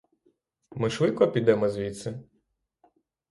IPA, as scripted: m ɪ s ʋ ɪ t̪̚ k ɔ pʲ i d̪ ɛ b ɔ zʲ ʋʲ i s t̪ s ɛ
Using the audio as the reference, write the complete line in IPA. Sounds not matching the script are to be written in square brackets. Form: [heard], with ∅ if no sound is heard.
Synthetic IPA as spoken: m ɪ [ʃ] ʋ ɪ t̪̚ k ɔ pʲ i d̪ ɛ [m] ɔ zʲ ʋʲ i [∅] t̪ s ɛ

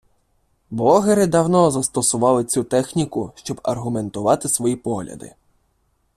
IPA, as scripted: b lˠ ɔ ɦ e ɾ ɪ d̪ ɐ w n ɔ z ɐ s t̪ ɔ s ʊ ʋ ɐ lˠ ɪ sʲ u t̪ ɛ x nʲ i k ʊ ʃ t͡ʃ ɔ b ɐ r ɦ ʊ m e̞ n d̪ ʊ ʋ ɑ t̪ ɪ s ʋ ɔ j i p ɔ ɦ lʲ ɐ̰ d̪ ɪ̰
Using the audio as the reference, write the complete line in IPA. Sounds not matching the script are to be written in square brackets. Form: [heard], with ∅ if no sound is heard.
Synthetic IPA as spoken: b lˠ ɔ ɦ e ɾ ɪ d̪ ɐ w n ɔ z ɐ s t̪ ɔ s ʊ ʋ [ɑ] lˠ ɪ [t͡sʲ] u t̪ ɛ x nʲ i k ʊ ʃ t͡ʃ ɔ b ɐ r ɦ ʊ m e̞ n [t̪] ʊ ʋ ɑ t̪ ɪ s ʋ ɔ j i p ɔ ɦ lʲ ɐ̰ d̪ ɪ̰

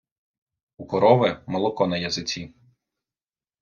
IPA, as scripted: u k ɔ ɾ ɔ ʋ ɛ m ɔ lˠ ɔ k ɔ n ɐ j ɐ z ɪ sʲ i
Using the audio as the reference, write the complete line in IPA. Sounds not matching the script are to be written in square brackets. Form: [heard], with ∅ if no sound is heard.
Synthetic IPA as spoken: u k ɔ ɾ ɔ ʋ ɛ m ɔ lˠ ɔ k ɔ n ɐ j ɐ z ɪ [t͡sʲ] i

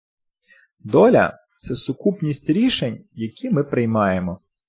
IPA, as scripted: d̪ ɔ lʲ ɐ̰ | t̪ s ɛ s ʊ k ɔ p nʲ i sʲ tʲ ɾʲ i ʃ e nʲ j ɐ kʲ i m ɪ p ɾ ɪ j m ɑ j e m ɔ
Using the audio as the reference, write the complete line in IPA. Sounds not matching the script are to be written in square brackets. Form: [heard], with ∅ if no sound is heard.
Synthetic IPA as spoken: d̪ ɔ lʲ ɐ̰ | t̪ s ɛ s ʊ k [u] p nʲ i sʲ tʲ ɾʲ i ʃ e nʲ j ɐ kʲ i m ɪ p ɾ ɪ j m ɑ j e m ɔ

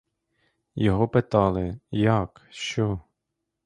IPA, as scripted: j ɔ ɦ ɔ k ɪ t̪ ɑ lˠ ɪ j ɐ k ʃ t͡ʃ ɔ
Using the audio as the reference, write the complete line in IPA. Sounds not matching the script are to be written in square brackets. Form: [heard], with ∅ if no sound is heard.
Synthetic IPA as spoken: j ɔ ɦ ɔ [p] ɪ t̪ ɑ lˠ ɪ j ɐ k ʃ t͡ʃ ɔ

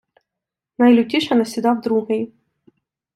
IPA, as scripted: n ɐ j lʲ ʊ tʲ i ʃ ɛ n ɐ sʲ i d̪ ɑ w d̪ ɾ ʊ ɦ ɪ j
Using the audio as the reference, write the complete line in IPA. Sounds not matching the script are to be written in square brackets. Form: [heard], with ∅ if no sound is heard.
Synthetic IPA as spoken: n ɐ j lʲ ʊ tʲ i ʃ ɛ n ɐ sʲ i d̪ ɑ w d̪ ɾ [u] ɦ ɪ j

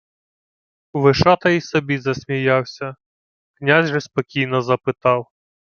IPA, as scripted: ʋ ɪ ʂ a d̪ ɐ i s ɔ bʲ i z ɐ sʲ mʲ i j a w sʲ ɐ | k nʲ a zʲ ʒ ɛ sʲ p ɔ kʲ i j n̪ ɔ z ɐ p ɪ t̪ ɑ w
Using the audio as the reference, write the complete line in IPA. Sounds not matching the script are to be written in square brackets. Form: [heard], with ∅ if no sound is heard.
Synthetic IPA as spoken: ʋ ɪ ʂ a [t̪] ɐ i s ɔ bʲ i z ɐ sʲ mʲ i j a w sʲ ɐ | k nʲ a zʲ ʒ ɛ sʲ p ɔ kʲ i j n̪ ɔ z ɐ p ɪ t̪ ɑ w

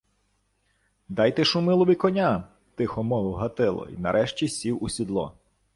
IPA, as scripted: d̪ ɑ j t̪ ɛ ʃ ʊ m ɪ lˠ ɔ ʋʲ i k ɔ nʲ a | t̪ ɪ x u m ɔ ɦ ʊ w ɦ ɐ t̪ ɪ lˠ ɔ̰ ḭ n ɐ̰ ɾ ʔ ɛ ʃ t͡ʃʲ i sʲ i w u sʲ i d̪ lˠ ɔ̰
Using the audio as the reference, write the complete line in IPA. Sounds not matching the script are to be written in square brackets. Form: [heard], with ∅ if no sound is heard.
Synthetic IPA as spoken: d̪ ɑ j t̪ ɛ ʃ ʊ m ɪ lˠ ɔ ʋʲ i k ɔ nʲ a | t̪ ɪ x [ɔ] m ɔ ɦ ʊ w ɦ ɐ t̪ ɪ lˠ ɔ̰ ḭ n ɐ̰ ɾ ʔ ɛ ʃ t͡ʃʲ i sʲ i w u sʲ i d̪ lˠ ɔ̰

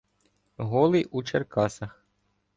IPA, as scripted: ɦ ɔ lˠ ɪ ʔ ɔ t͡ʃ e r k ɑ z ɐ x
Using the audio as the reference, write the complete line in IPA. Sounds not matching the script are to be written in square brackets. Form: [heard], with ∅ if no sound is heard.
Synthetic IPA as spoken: ɦ ɔ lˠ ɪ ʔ [u] t͡ʃ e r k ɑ [s] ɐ x

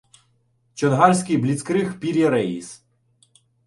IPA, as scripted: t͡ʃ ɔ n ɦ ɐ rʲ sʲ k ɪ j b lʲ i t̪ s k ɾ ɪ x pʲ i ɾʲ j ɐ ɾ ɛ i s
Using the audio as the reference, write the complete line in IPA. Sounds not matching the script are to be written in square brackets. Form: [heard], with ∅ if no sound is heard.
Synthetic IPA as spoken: t͡ʃ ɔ n ɦ [ɑ] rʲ sʲ k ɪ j b lʲ i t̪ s k ɾ ɪ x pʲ i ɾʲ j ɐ ɾ ɛ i s

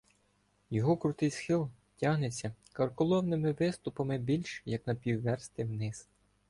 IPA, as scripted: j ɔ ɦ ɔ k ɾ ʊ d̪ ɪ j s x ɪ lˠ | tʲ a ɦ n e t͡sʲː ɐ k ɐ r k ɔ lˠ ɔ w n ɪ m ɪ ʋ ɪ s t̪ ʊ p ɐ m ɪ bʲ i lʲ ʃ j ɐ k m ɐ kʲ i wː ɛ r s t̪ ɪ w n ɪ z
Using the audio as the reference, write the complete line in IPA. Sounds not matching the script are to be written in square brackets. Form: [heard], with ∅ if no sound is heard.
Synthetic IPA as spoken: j ɔ ɦ ɔ k ɾ ʊ [t̪] ɪ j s x ɪ lˠ | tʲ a ɦ n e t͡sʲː ɐ k ɐ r k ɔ lˠ ɔ w n ɪ m ɪ ʋ ɪ s t̪ ʊ p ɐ m ɪ bʲ i lʲ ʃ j ɐ k [n] ɐ [pʲ] i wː ɛ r s t̪ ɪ w n ɪ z

